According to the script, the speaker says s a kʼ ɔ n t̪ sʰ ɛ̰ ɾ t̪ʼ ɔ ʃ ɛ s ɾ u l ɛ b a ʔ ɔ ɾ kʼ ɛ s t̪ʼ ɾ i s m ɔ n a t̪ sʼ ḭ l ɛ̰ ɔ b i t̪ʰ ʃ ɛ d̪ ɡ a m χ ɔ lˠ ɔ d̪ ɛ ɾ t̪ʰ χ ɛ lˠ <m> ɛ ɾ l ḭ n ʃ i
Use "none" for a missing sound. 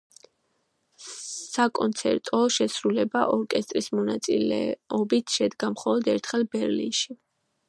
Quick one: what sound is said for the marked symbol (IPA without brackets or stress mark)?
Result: b